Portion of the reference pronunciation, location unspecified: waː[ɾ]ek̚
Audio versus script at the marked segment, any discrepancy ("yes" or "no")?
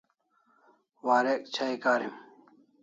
no